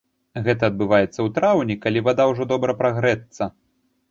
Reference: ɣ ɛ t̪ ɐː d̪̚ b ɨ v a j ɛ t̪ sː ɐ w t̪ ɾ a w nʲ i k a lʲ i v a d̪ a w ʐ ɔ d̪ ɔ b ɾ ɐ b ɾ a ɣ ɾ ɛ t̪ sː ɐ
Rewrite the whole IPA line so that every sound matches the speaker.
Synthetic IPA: ɣ ɛ t̪ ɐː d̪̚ b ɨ v a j ɛ t̪ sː ɐ w t̪ ɾ a w nʲ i k a lʲ i v a d̪ a w ʐ ɔ d̪ ɔ b ɾ ɐ p ɾ a ɣ ɾ ɛ t̪ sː ɐ